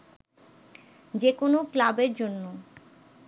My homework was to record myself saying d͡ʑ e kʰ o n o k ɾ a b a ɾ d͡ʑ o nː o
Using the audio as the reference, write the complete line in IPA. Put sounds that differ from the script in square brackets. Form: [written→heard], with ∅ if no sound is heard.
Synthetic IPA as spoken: d͡ʑ e [kʰ→k] o n o k [ɾ→l] a b [a→e] ɾ d͡ʑ o nː o